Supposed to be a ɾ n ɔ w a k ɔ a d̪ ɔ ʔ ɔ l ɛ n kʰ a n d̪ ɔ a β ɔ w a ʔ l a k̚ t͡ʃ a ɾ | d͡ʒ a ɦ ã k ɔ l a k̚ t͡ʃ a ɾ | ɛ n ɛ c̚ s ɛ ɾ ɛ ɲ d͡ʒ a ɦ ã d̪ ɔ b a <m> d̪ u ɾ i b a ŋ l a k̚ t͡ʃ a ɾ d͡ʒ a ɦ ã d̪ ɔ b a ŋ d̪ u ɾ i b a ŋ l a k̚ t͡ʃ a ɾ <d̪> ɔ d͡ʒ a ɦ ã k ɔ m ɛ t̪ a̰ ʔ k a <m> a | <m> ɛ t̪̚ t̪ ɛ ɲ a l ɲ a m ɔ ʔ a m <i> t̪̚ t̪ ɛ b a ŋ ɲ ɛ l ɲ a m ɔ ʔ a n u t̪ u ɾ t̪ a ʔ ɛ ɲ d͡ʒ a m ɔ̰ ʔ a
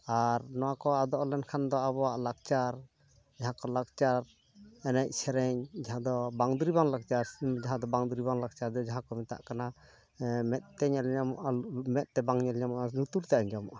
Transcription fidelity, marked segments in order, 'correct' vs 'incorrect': incorrect: ŋ, correct, incorrect: n, correct, incorrect: ɛ

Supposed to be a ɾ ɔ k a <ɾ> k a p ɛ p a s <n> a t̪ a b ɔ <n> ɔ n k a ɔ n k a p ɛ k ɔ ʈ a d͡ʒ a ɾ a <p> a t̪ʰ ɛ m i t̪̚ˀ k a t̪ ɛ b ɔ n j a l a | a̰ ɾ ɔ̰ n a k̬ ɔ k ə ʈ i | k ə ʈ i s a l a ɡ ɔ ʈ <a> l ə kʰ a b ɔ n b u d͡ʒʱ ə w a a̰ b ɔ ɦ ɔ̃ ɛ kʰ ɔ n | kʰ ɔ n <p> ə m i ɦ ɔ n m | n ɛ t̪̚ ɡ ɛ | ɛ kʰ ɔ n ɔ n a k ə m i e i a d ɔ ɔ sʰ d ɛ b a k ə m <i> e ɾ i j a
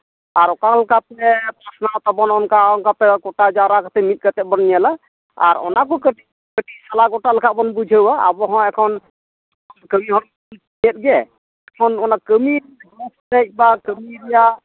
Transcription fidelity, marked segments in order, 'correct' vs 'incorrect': incorrect: l, correct, correct, incorrect: k, correct, incorrect: k, correct

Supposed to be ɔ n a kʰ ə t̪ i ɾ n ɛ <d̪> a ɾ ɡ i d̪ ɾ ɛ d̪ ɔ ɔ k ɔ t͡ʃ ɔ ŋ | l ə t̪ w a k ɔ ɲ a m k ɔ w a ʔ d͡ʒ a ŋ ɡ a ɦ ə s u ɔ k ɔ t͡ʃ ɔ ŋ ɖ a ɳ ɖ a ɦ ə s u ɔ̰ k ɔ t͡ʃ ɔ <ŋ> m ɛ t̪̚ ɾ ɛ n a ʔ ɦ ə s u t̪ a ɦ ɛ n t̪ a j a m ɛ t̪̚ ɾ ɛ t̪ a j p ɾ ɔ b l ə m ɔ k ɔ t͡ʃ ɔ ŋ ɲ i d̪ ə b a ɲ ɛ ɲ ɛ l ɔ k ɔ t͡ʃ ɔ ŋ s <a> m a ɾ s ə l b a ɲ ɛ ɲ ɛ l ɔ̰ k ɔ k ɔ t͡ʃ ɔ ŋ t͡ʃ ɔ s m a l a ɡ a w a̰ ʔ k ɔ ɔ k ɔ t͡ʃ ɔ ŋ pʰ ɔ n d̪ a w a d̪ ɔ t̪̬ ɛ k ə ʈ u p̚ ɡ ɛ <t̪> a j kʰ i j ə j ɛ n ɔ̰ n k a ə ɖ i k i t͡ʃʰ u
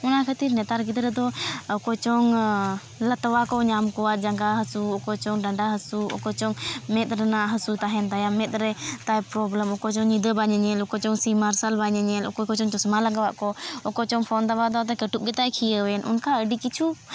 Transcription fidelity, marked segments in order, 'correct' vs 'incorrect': incorrect: t̪, correct, incorrect: i, correct

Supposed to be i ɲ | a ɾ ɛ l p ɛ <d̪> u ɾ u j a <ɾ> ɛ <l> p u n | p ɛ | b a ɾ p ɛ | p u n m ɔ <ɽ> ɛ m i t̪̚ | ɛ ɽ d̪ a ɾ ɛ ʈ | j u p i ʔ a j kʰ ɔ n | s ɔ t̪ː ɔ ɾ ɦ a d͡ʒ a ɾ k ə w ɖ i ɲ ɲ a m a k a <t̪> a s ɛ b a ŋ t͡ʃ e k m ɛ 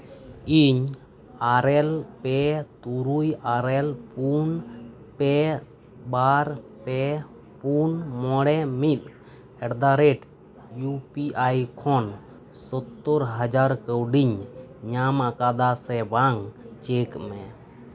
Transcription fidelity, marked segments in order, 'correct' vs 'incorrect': incorrect: t̪, correct, correct, correct, incorrect: d̪

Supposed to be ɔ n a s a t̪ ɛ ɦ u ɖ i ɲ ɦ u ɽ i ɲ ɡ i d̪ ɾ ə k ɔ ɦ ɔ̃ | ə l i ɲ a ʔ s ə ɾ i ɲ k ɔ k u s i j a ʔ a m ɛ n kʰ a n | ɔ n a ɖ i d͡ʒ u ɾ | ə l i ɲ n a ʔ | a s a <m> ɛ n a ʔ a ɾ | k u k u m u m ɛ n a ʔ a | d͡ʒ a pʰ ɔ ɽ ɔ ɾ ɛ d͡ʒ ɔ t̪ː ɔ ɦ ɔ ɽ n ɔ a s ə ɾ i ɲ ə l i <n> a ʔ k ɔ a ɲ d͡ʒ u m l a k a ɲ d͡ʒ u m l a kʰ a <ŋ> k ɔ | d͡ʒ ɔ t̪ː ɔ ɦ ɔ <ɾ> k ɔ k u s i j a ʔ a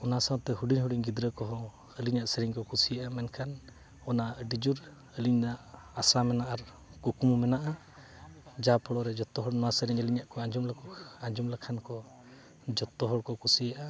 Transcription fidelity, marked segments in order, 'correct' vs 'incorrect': correct, incorrect: ɲ, incorrect: n, incorrect: ɽ

